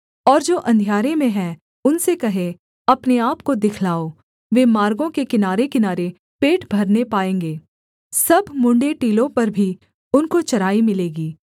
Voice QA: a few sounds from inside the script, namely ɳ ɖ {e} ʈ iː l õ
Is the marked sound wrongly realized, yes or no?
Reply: no